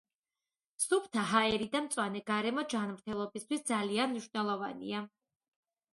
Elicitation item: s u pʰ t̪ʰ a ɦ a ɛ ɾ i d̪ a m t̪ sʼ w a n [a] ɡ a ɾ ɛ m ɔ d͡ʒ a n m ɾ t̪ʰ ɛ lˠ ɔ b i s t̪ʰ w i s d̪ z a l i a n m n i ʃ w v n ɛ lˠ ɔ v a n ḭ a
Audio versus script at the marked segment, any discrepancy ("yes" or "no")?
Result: yes